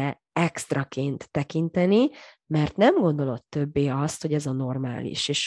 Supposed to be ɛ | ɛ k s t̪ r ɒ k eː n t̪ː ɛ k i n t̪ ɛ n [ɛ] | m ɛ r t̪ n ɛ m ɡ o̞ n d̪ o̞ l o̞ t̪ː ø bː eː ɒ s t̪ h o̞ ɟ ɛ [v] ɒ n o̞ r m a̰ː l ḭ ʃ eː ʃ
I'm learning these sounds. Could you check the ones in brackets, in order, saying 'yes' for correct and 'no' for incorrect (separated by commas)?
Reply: no, no